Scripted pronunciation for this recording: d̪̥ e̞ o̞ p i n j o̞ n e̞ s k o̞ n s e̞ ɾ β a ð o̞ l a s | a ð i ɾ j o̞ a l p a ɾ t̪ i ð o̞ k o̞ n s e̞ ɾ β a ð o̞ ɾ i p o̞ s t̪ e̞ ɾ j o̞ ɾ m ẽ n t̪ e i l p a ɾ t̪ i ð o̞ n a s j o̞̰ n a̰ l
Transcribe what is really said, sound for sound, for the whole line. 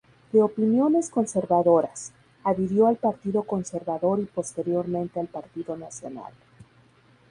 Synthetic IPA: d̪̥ e̞ o̞ p i n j o̞ n e̞ s k o̞ n s e̞ ɾ β a ð o̞ ɾ a s | a ð i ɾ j o̞ a l p a ɾ t̪ i ð o̞ k o̞ n s e̞ ɾ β a ð o̞ ɾ i p o̞ s t̪ e̞ ɾ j o̞ ɾ m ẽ n t̪ e a l p a ɾ t̪ i ð o̞ n a s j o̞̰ n a̰ l